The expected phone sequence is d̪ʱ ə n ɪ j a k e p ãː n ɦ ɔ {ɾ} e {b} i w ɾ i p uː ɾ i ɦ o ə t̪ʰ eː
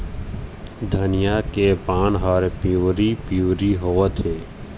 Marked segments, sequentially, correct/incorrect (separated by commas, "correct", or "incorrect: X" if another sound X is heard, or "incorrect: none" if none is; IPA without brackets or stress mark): correct, incorrect: p